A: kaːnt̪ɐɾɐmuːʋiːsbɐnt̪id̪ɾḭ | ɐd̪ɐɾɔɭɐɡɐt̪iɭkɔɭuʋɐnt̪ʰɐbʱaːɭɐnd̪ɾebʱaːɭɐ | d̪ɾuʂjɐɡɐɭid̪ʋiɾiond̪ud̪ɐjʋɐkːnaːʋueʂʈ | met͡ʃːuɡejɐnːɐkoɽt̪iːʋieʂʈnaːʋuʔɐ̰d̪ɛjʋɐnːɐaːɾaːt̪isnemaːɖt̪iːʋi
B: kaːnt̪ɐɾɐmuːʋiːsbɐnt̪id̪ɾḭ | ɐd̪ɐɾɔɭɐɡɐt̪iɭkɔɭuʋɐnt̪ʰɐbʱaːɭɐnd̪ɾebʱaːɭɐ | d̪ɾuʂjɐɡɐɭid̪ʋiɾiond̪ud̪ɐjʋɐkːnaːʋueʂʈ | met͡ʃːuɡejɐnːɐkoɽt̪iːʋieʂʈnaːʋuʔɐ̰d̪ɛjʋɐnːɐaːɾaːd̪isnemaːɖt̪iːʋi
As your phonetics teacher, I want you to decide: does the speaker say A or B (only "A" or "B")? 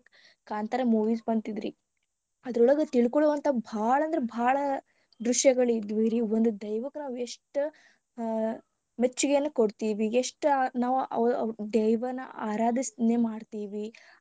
B